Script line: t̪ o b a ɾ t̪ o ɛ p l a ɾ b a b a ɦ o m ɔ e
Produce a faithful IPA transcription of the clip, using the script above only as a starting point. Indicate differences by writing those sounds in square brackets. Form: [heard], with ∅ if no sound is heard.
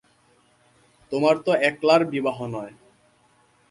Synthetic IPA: t̪ o [m] a ɾ t̪ o ɛ [k] l a ɾ b [i] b a ɦ o [n] ɔ e